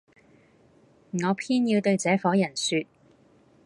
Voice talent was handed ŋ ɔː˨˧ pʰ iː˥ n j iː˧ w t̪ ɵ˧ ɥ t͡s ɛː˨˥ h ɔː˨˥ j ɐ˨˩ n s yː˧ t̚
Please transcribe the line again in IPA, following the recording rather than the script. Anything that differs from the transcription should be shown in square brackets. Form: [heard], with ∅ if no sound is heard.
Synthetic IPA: ŋ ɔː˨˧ pʰ iː˥ n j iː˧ w t̪ ɵ˧ ɥ t͡s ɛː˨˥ [f] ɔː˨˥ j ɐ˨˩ n s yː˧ t̚